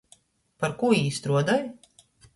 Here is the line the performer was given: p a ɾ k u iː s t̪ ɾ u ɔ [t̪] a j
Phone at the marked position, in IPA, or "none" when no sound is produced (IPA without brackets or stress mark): d̪